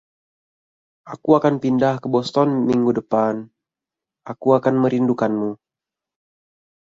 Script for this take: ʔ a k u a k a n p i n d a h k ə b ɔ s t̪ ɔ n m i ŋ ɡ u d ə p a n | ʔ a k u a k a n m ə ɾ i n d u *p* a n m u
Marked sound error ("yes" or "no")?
yes